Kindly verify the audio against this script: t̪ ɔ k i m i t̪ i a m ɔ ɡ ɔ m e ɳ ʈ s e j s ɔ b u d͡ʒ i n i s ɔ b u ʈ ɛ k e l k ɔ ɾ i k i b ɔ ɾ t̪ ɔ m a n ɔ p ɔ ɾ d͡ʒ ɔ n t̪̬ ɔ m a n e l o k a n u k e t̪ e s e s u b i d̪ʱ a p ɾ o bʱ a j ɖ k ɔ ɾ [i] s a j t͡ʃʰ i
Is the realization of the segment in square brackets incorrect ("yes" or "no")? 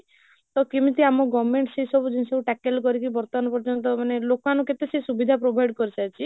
no